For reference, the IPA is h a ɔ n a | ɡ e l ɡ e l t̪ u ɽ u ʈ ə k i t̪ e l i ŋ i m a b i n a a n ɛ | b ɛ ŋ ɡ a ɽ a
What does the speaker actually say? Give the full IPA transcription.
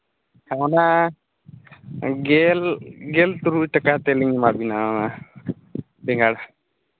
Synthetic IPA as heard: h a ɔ n a | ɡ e l ɡ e l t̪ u ɾ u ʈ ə k a t̪ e l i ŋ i m a b i n a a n a | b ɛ ŋ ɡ a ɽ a